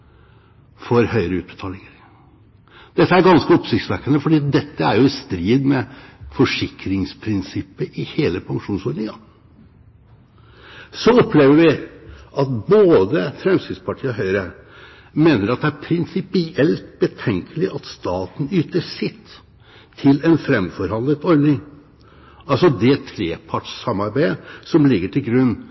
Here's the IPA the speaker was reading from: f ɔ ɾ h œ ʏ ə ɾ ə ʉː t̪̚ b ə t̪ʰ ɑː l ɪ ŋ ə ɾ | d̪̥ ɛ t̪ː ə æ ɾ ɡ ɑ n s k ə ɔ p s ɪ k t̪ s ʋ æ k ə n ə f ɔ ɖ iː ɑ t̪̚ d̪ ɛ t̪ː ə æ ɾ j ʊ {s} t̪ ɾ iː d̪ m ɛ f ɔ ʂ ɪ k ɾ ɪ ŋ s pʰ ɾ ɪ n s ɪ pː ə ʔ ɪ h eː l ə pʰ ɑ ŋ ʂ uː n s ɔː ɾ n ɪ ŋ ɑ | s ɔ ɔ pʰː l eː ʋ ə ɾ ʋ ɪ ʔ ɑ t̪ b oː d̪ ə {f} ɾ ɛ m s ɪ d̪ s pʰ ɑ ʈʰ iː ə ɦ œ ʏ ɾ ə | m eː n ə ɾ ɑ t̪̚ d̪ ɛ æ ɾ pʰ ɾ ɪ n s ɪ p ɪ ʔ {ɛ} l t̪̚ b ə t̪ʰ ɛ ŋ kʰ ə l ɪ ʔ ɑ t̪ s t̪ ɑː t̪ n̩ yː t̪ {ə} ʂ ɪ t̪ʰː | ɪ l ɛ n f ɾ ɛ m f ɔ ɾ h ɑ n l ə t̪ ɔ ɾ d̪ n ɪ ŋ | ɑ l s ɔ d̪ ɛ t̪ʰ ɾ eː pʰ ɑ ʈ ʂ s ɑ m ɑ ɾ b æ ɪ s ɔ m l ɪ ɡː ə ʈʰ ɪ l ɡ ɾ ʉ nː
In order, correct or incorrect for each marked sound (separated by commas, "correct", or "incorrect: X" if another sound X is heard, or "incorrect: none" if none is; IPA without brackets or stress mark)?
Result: correct, correct, correct, correct